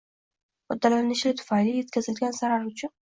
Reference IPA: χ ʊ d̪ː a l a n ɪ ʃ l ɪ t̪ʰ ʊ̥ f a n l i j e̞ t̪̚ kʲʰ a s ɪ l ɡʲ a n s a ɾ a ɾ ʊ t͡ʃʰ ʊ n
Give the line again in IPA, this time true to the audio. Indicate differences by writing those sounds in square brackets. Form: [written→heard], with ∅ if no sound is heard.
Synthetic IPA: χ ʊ d̪ː a l a n ɪ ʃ l ɪ t̪ʰ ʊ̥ f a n l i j e̞ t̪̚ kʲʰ a [s→z] ɪ l ɡʲ a n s a ɾ a ɾ ʊ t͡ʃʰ ʊ n

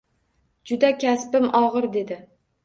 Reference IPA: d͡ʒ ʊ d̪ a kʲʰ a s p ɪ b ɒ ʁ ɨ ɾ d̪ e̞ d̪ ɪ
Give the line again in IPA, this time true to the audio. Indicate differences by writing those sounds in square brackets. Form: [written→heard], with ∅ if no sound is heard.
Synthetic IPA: d͡ʒ ʊ d̪ a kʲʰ a s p ɪ [b→m] ɒ ʁ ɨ ɾ d̪ e̞ d̪ ɪ

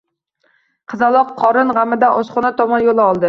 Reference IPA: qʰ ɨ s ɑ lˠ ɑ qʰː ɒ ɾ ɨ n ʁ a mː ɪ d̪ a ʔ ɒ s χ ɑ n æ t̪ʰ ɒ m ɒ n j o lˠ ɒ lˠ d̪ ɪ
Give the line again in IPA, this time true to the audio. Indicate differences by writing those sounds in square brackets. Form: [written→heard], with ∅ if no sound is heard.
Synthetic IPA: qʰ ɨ [s→z] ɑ lˠ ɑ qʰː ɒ ɾ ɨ n ʁ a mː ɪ d̪ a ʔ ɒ s χ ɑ n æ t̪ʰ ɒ m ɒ n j o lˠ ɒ lˠ d̪ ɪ

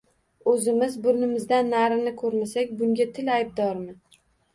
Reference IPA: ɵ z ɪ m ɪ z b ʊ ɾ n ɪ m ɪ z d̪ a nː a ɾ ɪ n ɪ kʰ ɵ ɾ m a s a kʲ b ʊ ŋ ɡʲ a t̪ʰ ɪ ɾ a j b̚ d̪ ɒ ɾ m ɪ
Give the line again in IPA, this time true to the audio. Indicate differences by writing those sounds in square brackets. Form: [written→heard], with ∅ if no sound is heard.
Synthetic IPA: ɵ z ɪ m ɪ z b ʊ ɾ n ɪ m ɪ z d̪ a nː a ɾ ɪ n ɪ kʰ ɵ ɾ m a s a kʲ b ʊ ŋ ɡʲ a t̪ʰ ɪ [ɾ→l] a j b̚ d̪ ɒ ɾ m ɪ

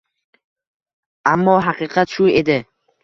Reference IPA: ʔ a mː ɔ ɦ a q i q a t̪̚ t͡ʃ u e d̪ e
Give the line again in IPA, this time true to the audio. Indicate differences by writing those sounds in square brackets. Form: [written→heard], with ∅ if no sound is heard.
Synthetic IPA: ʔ a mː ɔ ɦ a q i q a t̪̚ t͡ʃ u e d̪ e

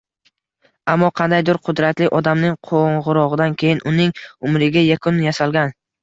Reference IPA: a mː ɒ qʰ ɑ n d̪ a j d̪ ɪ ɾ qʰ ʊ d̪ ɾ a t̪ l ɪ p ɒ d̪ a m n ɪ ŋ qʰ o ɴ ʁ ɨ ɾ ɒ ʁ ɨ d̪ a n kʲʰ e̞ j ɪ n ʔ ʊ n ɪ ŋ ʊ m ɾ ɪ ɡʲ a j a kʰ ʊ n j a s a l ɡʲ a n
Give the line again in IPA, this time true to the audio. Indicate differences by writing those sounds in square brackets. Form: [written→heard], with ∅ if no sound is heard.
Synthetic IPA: a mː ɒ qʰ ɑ n d̪ a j d̪ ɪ ɾ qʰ ʊ d̪ ɾ a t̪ l ɪ [p→ʔ] ɒ d̪ a m n ɪ ŋ qʰ o ɴ ʁ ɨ ɾ ɒ ʁ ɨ d̪ a n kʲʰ e̞ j ɪ n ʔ ʊ n ɪ ŋ ʊ m ɾ ɪ ɡʲ a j a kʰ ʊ n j a s a l ɡʲ a n

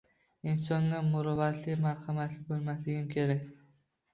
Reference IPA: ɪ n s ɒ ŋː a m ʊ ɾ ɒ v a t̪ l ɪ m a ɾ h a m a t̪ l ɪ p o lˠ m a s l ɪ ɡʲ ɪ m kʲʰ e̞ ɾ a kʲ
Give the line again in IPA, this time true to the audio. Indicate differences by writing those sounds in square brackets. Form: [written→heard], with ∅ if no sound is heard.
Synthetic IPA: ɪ n s ɒ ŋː a m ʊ ɾ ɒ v a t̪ l ɪ m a ɾ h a m a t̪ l ɪ [p→b] o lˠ m a s l ɪ ɡʲ ɪ m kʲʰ e̞ ɾ a kʲ

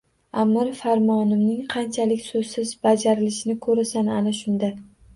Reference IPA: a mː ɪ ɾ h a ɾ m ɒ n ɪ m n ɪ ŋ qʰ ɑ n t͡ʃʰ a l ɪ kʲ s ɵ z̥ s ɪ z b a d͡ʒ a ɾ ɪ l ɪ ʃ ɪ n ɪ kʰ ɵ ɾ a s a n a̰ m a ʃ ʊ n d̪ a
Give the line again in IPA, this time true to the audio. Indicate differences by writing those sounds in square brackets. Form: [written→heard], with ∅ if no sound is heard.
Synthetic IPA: a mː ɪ ɾ [h→f] a ɾ m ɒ n ɪ m n ɪ ŋ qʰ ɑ n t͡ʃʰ a l ɪ kʲ s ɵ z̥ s ɪ z b a d͡ʒ a ɾ ɪ l ɪ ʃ ɪ n ɪ kʰ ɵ ɾ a s a n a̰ [m→n] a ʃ ʊ n d̪ a

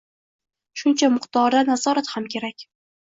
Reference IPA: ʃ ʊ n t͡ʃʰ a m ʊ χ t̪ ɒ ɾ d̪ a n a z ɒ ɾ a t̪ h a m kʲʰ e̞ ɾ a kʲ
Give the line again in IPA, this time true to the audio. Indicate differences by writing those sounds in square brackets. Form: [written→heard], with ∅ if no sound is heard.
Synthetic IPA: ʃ ʊ n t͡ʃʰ a m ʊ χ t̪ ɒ ɾ d̪ a n a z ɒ ɾ a t̪ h a m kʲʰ e̞ ɾ a kʲ

